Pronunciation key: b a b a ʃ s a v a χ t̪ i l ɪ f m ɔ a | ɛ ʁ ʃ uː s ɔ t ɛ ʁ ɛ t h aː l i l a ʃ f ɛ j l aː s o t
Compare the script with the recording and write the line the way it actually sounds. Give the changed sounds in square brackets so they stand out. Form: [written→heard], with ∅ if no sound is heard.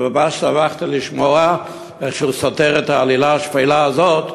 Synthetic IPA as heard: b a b a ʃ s a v a χ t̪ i l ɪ [f→ʃ] m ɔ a | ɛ [ʁ→χ] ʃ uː s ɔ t ɛ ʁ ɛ t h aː l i l a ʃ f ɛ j l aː [s→z] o t